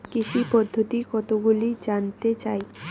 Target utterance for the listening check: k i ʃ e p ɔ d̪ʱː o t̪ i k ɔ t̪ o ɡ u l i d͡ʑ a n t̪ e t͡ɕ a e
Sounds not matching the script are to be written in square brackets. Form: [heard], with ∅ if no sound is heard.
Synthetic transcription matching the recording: k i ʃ [i] p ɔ d̪ʱː o t̪ i k ɔ t̪ o ɡ u l i d͡ʑ a n t̪ e t͡ɕ a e